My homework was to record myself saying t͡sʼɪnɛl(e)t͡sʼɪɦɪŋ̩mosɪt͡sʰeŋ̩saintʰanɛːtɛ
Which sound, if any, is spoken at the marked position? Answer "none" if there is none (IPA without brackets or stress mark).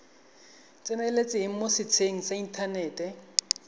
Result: e